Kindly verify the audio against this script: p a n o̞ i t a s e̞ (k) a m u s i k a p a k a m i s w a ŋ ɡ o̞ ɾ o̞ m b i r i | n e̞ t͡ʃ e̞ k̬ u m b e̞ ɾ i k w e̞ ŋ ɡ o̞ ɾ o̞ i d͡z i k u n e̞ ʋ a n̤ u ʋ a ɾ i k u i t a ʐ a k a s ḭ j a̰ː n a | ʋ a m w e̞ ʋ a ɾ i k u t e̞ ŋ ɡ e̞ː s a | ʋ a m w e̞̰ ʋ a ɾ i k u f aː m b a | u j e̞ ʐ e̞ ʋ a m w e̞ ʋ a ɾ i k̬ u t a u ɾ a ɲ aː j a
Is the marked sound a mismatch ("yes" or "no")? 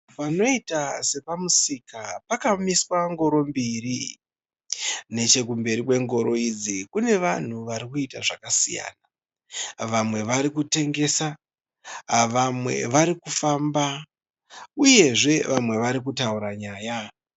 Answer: yes